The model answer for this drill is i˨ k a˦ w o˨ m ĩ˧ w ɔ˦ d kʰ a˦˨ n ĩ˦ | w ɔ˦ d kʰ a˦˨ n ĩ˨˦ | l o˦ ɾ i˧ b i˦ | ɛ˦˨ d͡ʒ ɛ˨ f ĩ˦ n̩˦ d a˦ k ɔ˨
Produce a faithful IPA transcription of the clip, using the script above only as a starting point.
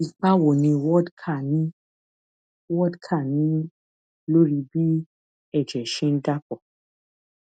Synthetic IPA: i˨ k͡p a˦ w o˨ n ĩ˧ w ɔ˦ d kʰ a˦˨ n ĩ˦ | w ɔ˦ d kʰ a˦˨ n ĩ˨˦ | l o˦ ɾ i˧ b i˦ | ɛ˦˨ d͡ʒ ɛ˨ ʃ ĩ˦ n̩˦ d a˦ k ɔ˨